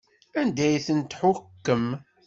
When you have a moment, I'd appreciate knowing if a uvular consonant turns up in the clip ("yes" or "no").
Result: no